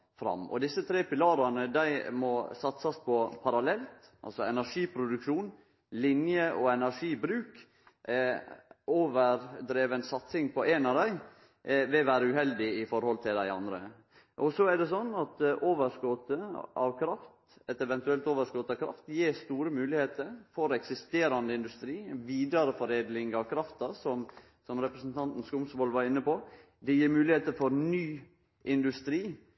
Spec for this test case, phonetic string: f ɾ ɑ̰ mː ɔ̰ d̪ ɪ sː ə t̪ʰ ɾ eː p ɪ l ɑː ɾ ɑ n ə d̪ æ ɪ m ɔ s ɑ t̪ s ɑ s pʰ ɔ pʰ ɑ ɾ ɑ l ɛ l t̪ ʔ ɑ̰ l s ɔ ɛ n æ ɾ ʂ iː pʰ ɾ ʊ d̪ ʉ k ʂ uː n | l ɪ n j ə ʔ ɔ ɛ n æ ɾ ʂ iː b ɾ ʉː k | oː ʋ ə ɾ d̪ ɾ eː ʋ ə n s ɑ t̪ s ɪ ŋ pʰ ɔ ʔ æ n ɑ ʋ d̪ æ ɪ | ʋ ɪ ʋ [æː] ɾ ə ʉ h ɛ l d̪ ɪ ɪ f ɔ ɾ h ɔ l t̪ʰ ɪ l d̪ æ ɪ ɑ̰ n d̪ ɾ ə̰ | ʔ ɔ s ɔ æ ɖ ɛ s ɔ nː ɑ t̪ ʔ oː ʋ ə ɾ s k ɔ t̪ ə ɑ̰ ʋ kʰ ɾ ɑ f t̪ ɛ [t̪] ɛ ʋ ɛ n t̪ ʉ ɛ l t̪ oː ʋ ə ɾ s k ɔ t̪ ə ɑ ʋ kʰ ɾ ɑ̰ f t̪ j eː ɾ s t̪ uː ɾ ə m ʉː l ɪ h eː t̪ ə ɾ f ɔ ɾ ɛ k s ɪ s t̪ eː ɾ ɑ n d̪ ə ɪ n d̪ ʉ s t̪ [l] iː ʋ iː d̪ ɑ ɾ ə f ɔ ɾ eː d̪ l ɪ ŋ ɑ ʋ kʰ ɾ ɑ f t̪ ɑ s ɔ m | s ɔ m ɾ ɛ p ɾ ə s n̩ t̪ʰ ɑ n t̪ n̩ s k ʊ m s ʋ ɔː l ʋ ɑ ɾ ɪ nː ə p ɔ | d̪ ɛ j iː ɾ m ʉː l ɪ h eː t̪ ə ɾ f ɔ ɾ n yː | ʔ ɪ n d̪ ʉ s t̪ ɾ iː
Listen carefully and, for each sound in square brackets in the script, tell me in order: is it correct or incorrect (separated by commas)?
correct, correct, incorrect